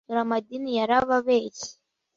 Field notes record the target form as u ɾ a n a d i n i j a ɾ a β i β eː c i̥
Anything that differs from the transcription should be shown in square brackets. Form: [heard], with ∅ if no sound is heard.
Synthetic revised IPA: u ɾ a [m] a d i n i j a ɾ a β [a] β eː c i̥